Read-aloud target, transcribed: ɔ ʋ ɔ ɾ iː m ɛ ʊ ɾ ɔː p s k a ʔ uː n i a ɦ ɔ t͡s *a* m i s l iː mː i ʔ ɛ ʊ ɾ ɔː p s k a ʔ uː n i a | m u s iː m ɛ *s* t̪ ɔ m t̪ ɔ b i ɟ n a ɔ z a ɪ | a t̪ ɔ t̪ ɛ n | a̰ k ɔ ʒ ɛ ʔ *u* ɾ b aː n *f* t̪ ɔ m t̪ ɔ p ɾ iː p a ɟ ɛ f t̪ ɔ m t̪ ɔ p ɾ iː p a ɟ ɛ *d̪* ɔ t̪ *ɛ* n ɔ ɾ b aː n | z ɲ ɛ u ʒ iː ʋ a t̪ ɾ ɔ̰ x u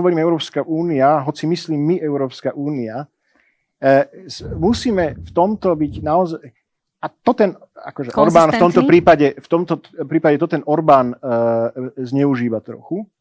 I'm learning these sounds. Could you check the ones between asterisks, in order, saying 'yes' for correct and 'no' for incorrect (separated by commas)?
no, no, no, yes, no, yes